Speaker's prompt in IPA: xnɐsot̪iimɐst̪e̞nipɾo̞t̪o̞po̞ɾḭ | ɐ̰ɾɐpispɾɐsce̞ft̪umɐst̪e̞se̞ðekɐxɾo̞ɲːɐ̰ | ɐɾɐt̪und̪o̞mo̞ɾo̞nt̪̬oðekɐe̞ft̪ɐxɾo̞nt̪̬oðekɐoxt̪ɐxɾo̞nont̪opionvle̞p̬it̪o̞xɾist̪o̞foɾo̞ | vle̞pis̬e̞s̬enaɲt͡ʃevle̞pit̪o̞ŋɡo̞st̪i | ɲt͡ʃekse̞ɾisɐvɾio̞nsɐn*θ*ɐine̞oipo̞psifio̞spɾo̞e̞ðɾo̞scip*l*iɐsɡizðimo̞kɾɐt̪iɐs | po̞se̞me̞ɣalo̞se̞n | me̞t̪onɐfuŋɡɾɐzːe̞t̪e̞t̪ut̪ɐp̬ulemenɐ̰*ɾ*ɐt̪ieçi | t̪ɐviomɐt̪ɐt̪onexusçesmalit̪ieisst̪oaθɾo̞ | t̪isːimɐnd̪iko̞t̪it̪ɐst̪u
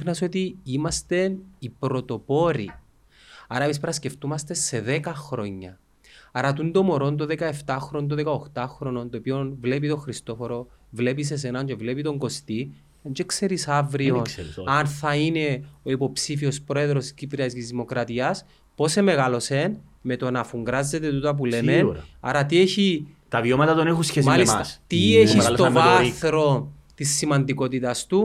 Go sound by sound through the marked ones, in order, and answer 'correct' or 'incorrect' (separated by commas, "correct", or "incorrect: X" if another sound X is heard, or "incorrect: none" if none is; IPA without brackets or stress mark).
correct, incorrect: ɾ, correct